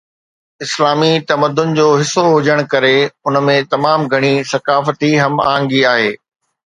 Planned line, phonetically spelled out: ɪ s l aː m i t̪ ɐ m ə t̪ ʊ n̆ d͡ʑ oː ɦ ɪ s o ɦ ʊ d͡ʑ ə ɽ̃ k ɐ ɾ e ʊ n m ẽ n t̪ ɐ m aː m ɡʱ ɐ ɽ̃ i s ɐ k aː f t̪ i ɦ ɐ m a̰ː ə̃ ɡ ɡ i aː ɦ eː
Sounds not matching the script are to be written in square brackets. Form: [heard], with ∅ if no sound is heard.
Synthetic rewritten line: ɪ s l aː m i t̪ ɐ m ə [d̪] ʊ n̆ d͡ʑ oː ɦ ɪ s o ɦ ʊ d͡ʑ ə ɽ̃ k ɐ ɾ e ʊ n m ẽ [∅] t̪ ɐ m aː m ɡʱ ɐ ɽ̃ i s ɐ k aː f t̪ i ɦ ɐ m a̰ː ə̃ [ŋ] ɡ i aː ɦ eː